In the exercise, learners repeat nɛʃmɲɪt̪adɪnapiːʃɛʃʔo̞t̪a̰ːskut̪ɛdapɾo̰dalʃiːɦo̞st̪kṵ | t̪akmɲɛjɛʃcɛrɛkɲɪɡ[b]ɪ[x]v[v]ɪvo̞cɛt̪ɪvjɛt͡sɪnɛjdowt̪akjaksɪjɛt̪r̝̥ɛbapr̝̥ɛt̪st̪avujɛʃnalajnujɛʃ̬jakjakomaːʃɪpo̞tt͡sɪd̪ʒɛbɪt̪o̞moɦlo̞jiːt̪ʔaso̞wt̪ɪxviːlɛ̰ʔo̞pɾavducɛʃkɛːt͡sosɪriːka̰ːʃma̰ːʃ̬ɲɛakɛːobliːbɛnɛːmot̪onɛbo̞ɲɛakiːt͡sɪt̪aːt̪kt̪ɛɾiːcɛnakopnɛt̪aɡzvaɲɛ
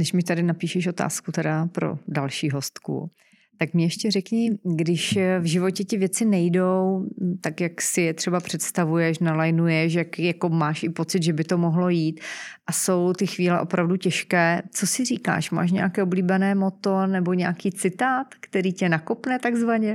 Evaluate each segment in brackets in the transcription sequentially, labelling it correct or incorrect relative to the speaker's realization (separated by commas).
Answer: incorrect, incorrect, incorrect